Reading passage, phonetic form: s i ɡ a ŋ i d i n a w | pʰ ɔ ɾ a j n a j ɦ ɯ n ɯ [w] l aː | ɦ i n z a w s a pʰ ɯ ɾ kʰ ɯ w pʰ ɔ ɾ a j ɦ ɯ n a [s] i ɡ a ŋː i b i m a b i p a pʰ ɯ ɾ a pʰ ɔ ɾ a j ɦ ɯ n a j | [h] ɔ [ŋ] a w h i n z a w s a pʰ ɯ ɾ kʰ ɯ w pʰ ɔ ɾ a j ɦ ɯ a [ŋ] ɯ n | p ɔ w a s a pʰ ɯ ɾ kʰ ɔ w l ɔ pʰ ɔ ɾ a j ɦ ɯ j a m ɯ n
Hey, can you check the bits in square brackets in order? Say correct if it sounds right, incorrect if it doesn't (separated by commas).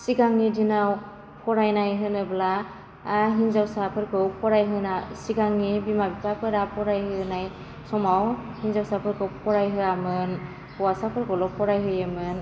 incorrect, correct, incorrect, incorrect, incorrect